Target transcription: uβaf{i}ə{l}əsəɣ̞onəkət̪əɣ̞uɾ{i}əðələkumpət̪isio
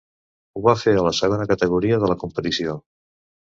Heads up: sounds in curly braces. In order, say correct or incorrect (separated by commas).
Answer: incorrect, correct, correct